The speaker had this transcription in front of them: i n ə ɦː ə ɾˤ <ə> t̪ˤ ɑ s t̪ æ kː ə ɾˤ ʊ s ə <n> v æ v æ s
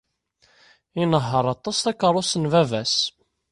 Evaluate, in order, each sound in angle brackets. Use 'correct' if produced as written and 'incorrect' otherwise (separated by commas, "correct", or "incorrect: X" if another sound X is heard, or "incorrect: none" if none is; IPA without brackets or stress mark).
incorrect: ɑ, correct